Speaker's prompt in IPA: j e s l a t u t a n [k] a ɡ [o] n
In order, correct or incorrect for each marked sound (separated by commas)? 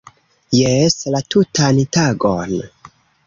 incorrect, correct